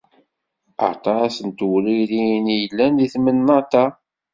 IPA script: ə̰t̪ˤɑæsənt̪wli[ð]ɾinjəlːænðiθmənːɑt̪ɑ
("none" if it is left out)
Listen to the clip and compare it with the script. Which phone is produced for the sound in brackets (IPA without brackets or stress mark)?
none